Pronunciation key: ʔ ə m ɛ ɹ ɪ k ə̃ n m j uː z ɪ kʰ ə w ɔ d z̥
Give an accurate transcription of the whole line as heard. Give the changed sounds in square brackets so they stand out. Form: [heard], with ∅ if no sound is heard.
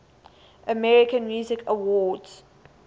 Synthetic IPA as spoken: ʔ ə m ɛ ɹ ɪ k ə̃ n m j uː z ɪ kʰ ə w ɔ d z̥